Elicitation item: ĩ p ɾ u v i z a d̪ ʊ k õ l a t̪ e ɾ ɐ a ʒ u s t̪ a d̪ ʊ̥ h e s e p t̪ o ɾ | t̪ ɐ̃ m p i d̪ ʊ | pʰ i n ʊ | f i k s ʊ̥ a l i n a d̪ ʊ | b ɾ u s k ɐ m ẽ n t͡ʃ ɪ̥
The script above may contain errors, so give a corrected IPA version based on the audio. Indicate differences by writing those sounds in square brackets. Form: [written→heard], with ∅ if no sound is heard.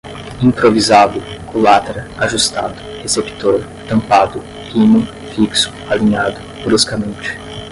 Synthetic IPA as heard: ĩ p ɾ [u→o] v i z a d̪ ʊ k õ l a t̪ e ɾ ɐ a ʒ u s t̪ a d̪ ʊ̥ h e s e p t̪ o ɾ | t̪ ɐ̃ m p [i→a] d̪ ʊ | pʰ i n ʊ | f i k s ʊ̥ a l i [n→ɲ] a d̪ ʊ | b ɾ u s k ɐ m ẽ n t͡ʃ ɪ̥